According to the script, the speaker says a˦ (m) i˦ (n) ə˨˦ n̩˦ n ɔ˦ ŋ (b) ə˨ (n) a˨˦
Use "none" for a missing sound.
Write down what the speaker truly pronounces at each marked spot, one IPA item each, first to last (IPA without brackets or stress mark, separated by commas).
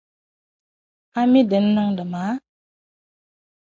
m, d, d, m